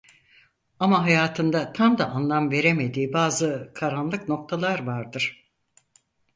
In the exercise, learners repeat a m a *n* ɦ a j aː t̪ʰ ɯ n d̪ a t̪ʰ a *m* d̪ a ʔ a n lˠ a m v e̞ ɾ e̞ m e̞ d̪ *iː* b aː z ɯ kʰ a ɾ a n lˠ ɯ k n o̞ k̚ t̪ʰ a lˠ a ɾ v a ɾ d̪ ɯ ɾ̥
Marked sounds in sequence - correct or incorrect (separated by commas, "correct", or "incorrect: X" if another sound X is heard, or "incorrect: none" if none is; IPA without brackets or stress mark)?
incorrect: none, correct, correct